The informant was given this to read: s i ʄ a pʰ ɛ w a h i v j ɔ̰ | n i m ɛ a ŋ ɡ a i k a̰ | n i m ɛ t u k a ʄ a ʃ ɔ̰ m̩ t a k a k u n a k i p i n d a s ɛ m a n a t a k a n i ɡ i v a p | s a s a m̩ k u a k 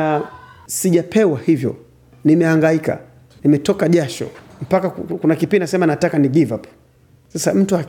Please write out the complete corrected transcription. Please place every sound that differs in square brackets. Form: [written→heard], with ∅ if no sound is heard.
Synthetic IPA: s i ʄ a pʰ ɛ w a h i v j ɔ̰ | n i m ɛ a ŋ ɡ a i k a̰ | n i m ɛ t [u→ɔ] k a ʄ a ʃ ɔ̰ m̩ [t→p] a k a k u n a k i p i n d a s ɛ m a n a t a k a n i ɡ i v a p | s a s a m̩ [k→t] u a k